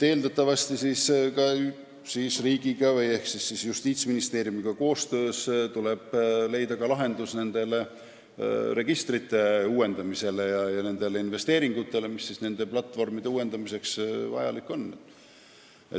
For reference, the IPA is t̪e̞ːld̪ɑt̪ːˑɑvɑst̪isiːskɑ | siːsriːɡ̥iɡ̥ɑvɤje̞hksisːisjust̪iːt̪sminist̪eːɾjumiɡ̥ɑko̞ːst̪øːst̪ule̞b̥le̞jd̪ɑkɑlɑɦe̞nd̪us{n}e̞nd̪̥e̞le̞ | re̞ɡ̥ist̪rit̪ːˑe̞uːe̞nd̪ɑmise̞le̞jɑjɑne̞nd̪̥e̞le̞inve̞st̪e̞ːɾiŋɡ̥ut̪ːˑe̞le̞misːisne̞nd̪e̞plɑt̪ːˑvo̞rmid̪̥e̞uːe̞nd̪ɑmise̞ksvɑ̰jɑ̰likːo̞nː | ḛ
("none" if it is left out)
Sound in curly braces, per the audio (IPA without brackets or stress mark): n